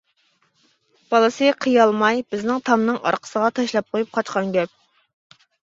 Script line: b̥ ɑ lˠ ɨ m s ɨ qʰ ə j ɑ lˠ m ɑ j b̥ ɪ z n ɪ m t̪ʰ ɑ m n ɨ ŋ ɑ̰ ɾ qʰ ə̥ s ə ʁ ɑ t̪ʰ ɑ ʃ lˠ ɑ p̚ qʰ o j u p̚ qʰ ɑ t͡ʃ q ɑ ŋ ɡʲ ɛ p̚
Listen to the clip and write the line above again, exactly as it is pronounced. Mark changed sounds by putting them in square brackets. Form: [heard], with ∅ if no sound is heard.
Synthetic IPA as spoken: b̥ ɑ lˠ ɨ [∅] s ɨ qʰ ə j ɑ lˠ m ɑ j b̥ ɪ z n ɪ [ŋ] t̪ʰ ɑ m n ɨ ŋ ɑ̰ ɾ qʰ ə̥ s ə ʁ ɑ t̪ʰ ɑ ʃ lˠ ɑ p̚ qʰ o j u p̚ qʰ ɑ t͡ʃ q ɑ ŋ ɡʲ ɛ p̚